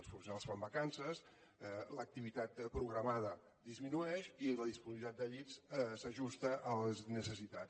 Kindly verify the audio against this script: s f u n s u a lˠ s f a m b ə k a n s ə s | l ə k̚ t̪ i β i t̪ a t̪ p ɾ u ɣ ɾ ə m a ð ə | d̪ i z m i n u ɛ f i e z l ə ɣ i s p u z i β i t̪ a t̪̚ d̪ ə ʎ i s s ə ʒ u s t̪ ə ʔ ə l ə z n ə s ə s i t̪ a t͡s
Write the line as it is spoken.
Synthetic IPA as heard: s f u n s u a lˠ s f a m b ə k a n s ə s | l ə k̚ t̪ i β i t̪ a t̪ p ɾ u ɣ ɾ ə m a ð ə | d̪ i z m i n u ɛ ʃ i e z l ə ð i s p u z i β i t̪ a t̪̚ d̪ ə ʎ i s s ə ʒ u s t̪ ə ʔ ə l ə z n ə s ə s i t̪ a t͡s